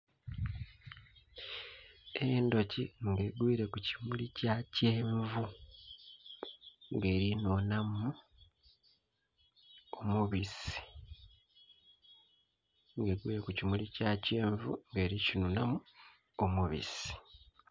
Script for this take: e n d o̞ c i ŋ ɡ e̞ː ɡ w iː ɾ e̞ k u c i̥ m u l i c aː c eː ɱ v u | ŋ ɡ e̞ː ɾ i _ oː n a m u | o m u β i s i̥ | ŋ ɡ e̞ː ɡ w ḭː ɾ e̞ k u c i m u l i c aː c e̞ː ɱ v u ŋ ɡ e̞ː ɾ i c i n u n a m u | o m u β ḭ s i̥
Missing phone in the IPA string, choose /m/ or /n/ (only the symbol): n